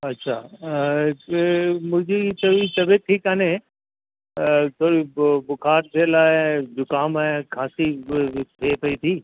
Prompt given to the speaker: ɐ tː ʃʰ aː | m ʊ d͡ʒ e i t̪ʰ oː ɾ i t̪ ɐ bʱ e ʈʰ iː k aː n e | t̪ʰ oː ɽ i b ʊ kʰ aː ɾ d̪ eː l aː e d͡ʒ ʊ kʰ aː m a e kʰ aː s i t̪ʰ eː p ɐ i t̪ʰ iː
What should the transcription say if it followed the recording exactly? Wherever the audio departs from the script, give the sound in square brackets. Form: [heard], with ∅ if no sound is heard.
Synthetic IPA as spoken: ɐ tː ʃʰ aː | m ʊ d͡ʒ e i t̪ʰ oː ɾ i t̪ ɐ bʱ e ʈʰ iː k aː n e | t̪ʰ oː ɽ i b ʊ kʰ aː ɾ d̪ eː l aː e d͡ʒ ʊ [k] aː m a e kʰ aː s i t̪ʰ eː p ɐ i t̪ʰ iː